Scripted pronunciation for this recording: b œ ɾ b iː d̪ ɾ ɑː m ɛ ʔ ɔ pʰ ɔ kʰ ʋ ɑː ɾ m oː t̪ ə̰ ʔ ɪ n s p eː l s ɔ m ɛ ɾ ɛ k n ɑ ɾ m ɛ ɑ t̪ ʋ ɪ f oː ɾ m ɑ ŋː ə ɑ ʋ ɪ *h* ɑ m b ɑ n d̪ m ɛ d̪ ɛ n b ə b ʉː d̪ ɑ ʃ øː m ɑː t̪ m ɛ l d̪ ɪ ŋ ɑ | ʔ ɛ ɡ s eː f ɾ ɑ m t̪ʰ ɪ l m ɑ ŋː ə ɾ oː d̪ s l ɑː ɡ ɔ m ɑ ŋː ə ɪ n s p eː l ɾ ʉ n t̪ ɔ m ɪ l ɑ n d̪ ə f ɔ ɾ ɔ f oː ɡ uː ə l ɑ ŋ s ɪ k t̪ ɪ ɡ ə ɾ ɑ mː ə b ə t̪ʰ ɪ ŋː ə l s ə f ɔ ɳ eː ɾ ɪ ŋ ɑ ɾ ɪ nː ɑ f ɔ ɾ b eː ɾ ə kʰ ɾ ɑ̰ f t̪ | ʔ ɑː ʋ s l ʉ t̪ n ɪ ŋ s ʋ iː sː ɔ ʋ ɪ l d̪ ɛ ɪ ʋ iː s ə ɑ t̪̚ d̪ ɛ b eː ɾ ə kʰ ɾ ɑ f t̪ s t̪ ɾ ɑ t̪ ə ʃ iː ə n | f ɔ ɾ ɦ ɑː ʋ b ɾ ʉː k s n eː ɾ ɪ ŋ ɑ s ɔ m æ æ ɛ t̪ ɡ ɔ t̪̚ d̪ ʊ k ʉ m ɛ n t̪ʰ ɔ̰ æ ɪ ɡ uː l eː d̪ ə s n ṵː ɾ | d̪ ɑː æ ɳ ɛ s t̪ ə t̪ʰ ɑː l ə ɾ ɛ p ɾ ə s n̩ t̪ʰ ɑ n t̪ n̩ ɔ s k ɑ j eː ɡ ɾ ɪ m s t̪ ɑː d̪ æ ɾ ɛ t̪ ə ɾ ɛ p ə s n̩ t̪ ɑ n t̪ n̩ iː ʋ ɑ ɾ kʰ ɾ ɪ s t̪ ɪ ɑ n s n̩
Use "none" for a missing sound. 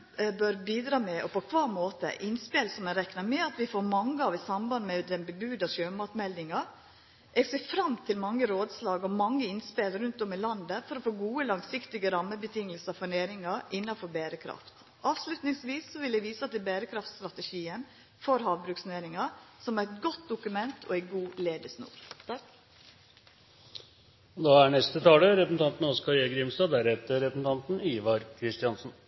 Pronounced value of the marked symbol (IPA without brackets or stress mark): s